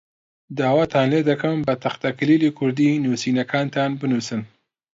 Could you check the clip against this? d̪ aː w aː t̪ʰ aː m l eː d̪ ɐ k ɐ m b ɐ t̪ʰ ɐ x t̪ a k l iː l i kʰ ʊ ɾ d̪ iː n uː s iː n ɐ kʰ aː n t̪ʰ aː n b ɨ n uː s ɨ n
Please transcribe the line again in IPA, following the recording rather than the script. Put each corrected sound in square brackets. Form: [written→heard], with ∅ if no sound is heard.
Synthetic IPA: d̪ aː w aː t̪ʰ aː [m→n] l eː d̪ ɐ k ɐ m b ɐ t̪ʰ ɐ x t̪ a k l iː l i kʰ ʊ ɾ d̪ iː n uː s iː n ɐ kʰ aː n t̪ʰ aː n b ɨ n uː s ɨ n